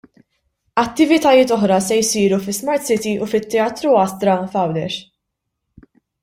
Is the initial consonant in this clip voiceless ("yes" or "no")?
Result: yes